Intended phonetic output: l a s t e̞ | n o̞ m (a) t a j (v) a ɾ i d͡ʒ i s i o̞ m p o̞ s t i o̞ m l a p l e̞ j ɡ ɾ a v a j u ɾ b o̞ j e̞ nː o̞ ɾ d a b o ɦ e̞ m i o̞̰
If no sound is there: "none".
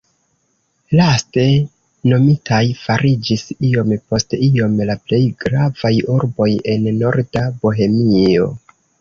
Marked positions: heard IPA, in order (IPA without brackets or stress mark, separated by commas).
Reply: i, f